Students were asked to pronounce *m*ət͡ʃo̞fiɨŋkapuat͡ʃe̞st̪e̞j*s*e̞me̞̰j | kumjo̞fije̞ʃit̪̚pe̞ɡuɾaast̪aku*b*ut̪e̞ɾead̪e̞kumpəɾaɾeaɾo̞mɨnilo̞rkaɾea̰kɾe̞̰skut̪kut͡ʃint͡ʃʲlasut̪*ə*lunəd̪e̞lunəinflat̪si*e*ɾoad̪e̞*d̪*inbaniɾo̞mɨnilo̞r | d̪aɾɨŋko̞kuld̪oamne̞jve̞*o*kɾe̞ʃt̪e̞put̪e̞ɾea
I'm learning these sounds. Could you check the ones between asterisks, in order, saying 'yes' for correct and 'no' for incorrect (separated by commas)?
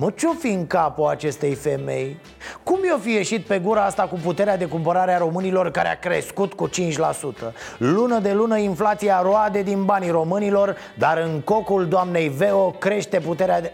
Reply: yes, no, no, yes, no, yes, yes